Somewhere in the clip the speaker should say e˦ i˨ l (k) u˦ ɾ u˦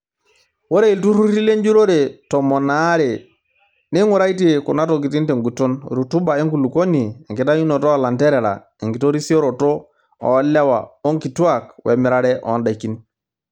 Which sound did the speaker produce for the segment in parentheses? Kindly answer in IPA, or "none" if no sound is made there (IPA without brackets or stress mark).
t